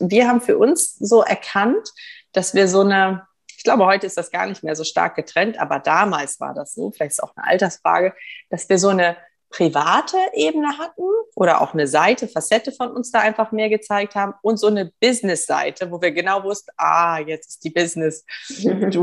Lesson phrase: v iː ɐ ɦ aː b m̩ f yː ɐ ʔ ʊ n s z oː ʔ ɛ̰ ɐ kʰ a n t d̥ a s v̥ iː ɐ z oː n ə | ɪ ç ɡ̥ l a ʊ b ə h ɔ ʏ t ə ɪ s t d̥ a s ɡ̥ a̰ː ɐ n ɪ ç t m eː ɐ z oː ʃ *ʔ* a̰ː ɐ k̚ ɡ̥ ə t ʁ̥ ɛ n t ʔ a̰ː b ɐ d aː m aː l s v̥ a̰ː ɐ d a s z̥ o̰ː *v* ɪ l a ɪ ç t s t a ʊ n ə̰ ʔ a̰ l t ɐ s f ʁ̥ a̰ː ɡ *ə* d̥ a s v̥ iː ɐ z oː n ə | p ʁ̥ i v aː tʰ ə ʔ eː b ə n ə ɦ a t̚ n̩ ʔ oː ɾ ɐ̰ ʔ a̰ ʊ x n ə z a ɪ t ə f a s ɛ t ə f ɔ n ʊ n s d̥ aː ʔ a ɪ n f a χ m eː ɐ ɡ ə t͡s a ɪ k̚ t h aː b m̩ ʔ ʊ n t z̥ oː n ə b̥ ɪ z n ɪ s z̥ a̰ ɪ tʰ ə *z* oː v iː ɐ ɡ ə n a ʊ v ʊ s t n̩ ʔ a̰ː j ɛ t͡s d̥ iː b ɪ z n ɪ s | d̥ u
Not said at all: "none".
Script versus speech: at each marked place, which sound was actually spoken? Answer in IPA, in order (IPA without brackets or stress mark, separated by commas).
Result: t, f, ə, v